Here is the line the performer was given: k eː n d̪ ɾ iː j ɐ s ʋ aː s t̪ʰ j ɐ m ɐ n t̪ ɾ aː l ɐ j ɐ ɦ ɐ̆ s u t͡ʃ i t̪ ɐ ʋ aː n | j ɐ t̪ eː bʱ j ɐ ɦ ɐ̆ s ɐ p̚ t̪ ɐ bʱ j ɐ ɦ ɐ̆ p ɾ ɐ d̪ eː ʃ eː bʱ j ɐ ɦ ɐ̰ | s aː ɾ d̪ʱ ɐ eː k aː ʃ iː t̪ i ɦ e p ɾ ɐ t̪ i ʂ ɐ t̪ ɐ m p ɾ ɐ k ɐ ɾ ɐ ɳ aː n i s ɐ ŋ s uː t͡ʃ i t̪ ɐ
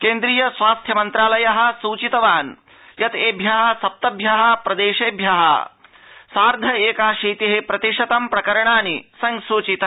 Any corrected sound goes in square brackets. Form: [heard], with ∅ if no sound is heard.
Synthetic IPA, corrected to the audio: k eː n d̪ ɾ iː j ɐ s ʋ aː s t̪ʰ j ɐ m ɐ n t̪ ɾ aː l ɐ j ɐ ɦ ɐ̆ s [uː] t͡ʃ i t̪ ɐ ʋ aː n | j ɐ t̪ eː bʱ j ɐ ɦ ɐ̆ s ɐ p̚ t̪ ɐ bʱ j ɐ ɦ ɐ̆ p ɾ ɐ d̪ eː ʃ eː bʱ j ɐ ɦ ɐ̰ | s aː ɾ d̪ʱ ɐ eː k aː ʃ iː t̪ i ɦ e p ɾ ɐ t̪ i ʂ ɐ t̪ ɐ m p ɾ ɐ k ɐ ɾ ɐ ɳ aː n i s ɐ ŋ s uː t͡ʃ i t̪ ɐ